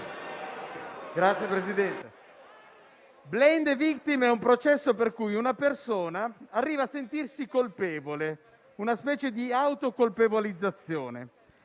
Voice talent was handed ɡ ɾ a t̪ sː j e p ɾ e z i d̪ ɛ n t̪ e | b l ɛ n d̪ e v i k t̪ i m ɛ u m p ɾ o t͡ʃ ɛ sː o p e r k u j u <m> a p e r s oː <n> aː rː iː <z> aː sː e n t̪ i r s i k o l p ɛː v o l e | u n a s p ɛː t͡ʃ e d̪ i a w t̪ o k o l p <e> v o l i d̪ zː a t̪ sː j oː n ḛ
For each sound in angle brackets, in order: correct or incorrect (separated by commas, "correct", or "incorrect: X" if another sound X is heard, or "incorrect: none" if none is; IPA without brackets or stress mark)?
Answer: incorrect: n, correct, incorrect: v, correct